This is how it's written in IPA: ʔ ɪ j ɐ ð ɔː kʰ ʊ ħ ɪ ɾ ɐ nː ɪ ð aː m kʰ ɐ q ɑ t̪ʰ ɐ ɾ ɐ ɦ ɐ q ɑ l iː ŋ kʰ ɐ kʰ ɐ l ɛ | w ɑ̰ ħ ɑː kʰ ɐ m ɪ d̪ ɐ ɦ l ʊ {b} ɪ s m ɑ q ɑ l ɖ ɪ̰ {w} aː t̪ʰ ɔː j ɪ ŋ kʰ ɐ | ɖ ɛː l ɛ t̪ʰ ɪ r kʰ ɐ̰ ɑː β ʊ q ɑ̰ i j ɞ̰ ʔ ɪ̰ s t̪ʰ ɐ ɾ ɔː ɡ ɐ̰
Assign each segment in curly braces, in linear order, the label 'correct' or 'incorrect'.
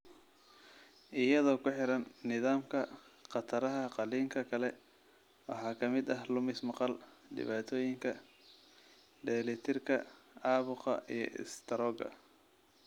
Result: incorrect: m, incorrect: β

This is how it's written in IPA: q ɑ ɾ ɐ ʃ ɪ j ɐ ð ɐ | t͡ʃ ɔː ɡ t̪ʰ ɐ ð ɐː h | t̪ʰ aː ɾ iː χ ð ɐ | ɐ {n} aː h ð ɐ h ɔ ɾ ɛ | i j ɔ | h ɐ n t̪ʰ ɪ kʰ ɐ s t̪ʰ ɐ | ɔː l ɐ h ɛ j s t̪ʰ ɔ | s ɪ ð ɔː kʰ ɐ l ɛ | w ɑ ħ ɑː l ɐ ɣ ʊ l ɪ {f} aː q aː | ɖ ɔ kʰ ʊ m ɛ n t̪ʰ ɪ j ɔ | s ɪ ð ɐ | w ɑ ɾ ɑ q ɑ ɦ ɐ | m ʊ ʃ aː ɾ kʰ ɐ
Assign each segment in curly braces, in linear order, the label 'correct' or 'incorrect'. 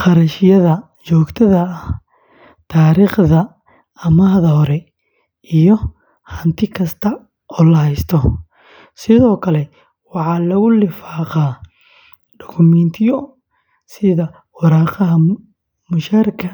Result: incorrect: m, correct

